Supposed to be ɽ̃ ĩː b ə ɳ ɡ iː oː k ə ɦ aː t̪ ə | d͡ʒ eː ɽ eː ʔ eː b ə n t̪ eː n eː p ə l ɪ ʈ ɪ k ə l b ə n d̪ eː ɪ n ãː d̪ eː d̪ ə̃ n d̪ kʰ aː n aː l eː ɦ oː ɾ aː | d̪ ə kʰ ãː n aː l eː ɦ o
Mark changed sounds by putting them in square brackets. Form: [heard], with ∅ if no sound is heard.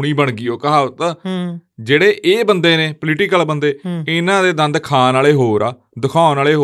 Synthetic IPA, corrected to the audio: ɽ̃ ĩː b ə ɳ ɡ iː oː k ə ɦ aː t̪ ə | d͡ʒ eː ɽ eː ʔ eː b ə n [d̪] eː n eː p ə l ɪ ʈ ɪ k ə l b ə n d̪ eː ɪ n ãː d̪ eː d̪ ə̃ n d̪ kʰ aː n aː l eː ɦ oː ɾ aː | d̪ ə kʰ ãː n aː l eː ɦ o